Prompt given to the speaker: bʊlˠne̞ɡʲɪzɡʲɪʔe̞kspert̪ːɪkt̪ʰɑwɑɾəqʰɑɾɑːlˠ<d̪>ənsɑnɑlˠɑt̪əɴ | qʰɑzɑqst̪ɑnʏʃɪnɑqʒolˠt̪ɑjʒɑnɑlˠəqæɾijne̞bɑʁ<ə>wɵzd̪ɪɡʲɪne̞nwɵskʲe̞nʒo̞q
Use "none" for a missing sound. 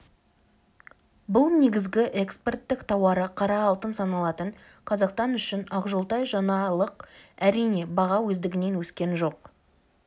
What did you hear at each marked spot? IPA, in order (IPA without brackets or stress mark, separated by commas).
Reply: t̪, ɑ